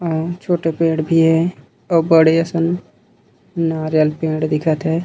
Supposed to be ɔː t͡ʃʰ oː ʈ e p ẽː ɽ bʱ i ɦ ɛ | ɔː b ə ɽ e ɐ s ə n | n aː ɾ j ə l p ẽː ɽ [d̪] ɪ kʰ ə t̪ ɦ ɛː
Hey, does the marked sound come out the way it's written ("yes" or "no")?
yes